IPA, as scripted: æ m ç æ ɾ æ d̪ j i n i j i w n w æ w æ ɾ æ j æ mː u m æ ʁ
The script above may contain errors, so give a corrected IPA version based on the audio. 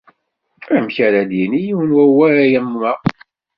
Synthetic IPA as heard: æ m ç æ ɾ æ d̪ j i n i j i w n w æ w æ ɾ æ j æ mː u m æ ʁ

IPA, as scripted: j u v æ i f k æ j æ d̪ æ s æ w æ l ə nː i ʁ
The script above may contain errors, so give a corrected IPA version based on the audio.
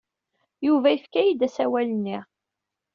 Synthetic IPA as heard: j u v æ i f k æ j i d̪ æ s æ w æ l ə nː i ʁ

